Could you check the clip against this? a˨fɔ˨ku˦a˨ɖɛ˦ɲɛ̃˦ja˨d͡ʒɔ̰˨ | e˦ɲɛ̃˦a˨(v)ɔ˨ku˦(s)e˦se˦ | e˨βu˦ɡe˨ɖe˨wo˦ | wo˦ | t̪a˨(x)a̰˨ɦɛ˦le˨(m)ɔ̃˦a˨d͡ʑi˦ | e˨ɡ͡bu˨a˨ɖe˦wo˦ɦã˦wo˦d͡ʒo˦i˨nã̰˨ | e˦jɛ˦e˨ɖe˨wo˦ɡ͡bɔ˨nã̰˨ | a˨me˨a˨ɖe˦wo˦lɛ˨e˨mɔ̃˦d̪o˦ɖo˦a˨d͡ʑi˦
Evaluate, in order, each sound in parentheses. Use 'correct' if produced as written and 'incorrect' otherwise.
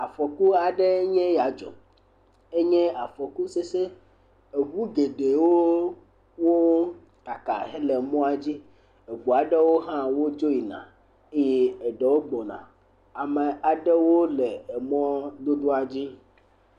incorrect, correct, incorrect, correct

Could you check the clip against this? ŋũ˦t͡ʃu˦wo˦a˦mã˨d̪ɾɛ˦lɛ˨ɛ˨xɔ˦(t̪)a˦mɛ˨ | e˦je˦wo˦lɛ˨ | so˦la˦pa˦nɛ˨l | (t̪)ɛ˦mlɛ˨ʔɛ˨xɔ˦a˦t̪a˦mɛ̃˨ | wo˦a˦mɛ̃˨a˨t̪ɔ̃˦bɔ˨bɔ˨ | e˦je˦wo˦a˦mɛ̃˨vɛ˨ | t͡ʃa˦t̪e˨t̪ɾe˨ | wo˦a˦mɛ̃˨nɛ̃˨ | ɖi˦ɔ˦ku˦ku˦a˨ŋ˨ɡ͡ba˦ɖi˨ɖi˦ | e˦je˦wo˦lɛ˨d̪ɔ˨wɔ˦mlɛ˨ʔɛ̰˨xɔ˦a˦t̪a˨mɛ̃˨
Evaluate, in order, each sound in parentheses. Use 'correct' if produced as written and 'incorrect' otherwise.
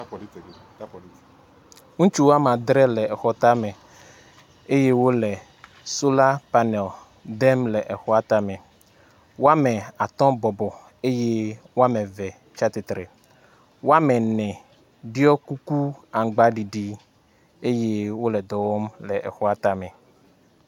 correct, incorrect

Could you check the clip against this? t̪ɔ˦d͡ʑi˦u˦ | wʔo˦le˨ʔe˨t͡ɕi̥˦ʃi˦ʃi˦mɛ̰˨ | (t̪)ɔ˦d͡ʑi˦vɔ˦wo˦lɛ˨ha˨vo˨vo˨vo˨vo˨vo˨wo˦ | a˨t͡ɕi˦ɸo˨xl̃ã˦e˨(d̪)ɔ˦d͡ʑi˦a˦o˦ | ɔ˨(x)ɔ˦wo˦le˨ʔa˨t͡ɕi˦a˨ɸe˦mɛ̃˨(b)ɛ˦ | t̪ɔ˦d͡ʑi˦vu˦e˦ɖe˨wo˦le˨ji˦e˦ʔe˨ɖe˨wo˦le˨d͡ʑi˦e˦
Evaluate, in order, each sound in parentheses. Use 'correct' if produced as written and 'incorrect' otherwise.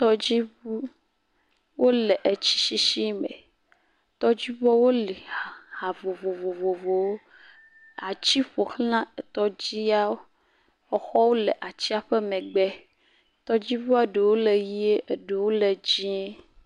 correct, incorrect, correct, incorrect

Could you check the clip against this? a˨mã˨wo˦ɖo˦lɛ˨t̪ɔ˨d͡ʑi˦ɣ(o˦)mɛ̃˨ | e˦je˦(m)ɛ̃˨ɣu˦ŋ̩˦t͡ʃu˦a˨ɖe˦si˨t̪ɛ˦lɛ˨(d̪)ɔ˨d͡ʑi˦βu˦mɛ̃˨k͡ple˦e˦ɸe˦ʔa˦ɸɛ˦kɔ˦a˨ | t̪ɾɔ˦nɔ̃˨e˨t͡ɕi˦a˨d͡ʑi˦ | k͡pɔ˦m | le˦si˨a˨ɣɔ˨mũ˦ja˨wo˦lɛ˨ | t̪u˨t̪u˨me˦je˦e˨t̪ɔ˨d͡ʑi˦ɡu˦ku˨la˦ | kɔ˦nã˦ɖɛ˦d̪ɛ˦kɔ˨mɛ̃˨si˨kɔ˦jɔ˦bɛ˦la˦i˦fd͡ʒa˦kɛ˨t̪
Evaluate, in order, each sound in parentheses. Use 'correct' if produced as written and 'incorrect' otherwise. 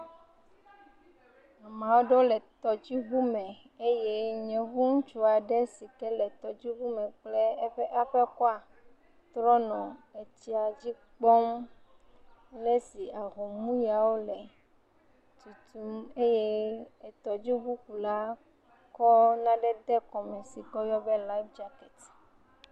incorrect, incorrect, incorrect

